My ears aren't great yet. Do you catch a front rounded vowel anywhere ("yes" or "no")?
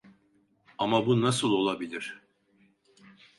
no